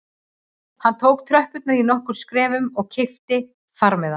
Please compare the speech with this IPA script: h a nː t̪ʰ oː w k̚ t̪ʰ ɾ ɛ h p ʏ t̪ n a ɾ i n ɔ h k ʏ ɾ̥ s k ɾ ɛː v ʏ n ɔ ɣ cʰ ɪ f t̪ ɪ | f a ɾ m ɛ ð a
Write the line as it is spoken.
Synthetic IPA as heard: h a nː t̪ʰ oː w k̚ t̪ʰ ɾ œ h p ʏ t̪ n a ɾ i n ɔ h k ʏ ɾ̥ s k ɾ ɛː v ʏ m ɔ ɣ cʰ ɪ f t̪ ɪ | f a ɾ m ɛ ð a